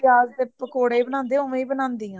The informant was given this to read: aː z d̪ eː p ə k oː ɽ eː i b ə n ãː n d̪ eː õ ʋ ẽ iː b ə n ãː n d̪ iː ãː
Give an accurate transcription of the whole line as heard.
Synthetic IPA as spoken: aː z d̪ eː p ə k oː ɽ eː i b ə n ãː n d̪ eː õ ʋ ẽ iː b ə n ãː n d̪ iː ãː